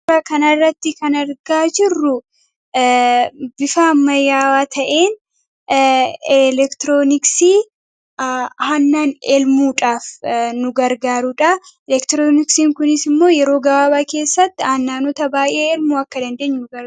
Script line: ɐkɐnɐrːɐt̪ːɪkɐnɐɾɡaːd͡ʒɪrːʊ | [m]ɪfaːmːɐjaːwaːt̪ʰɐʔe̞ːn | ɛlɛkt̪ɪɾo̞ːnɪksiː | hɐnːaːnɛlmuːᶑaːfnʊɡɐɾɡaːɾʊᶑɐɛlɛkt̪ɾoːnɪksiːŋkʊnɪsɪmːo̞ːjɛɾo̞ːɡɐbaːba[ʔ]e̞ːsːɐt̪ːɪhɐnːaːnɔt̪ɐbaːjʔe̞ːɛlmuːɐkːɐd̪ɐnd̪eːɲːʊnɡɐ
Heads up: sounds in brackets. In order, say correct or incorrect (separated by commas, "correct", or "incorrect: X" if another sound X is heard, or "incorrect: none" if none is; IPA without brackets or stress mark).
incorrect: b, incorrect: k